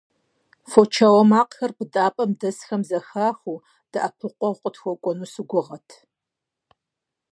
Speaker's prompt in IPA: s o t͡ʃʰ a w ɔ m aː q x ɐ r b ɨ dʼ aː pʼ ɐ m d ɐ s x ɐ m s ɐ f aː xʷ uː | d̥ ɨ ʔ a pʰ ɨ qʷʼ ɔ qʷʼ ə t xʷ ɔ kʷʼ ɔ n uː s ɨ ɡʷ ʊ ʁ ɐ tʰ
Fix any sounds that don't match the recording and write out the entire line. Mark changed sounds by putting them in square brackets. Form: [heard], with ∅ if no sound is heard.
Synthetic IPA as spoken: [f] o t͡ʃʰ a w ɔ m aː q x ɐ r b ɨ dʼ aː pʼ ɐ m d ɐ s x ɐ m [z] ɐ [x] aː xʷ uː | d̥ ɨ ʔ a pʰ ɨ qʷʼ ɔ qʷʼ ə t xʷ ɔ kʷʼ ɔ n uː s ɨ ɡʷ ʊ ʁ ɐ tʰ